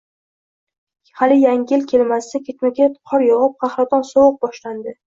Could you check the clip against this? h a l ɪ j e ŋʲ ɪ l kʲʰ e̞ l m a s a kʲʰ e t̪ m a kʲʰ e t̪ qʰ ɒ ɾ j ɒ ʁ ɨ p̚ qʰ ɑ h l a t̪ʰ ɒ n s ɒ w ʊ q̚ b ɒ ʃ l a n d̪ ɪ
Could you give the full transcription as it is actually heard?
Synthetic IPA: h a l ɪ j a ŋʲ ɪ l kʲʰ e̞ l m a s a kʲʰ e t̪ m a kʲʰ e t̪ qʰ ɒ ɾ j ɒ ʁ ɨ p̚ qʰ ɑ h ɾ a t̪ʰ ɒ n s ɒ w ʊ q̚ b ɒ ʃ l a n d̪ ɪ

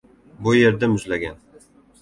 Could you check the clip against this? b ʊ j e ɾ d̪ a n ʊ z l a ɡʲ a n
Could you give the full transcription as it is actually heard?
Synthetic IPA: b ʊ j e ɾ d̪ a m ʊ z l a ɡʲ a n

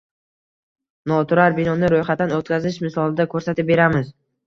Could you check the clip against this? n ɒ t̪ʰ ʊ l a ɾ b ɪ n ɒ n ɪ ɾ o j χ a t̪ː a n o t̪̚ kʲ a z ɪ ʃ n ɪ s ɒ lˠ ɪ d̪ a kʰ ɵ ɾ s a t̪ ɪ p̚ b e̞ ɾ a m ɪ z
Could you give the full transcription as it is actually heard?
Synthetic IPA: n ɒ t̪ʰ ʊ ɾ a ɾ b ɪ n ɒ n ɪ ɾ o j χ a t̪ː a n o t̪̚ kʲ a z ɪ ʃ m ɪ s ɒ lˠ ɪ d̪ a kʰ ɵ ɾ s a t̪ ɪ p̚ b e̞ ɾ a m ɪ z

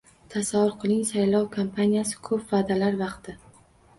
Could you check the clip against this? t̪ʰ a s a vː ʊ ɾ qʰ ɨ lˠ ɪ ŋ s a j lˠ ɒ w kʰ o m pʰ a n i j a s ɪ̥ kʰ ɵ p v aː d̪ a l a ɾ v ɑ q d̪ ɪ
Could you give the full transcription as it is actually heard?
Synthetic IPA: t̪ʰ a s a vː ʊ ɾ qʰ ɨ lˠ ɪ ŋ s a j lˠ ɒ w kʰ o m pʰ a n i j a s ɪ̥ kʰ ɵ p v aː d̪ a l a ɾ v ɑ q t̪ ɪ

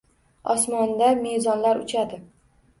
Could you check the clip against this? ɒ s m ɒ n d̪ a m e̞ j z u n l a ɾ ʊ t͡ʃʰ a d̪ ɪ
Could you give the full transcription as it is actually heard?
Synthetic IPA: ɒ s m ɒ n d̪ a m e̞ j z ɒ n l a ɾ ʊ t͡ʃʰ a d̪ ɪ

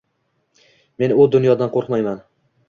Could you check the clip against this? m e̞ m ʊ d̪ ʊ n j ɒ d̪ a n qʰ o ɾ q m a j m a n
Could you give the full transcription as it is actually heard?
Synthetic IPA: m e̞ n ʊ d̪ ʊ n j ɒ d̪ a n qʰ o ɾ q m a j m a n

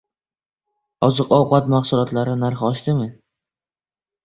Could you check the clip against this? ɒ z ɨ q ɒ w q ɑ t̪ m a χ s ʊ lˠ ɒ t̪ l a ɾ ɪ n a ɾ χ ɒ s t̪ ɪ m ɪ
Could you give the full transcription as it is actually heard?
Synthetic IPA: ɒ z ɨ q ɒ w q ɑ t̪ m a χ s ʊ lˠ ɒ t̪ l a ɾ ɪ n a ɾ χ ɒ ʃ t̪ ɪ m ɪ

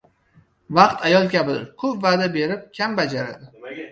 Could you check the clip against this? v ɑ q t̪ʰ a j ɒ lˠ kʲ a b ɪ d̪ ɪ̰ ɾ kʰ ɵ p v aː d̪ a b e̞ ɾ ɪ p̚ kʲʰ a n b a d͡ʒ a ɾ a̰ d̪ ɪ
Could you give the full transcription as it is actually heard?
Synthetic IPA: v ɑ q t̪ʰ a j ɒ lˠ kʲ a b ɪ d̪ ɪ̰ ɾ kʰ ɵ p v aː d̪ a b e̞ ɾ ɪ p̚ kʲʰ a m b a d͡ʒ a ɾ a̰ d̪ ɪ

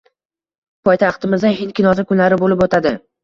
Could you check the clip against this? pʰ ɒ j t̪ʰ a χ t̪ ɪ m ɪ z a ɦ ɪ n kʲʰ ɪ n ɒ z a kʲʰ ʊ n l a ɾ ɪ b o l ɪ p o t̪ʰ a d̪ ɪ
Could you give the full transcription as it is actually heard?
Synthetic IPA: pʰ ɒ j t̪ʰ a χ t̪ ɪ m ɪ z a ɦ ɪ n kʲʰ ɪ n ɒ z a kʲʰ ʊ n l a ɾ ɪ b o l ɪ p o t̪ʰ a d̪ ɪ

